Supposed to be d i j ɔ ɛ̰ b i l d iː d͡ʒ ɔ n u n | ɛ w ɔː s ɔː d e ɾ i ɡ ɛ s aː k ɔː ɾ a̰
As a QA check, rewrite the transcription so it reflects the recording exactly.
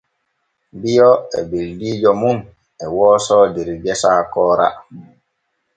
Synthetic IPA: b i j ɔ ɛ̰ b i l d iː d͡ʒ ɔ m u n | ɛ w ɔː s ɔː d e ɾ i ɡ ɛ s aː k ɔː ɾ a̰